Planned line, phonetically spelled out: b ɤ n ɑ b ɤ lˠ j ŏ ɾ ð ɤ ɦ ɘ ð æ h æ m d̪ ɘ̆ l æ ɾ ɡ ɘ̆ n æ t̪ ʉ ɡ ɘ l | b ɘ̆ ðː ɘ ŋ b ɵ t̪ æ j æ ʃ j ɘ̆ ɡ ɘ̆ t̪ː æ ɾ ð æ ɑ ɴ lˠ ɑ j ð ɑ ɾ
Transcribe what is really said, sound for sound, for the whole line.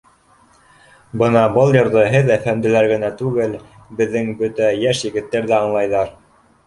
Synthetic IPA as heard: b ɤ n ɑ b ɤ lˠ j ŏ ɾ ð ɤ ɦ ɘ ð æ f æ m d̪ ɘ̆ l æ ɾ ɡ ɘ̆ n æ t̪ ʉ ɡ ɘ l | b ɘ̆ ðː ɘ ŋ b ɵ t̪ æ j æ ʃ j ɘ̆ ɡ ɘ̆ t̪ː æ ɾ ð æ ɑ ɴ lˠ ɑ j ð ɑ ɾ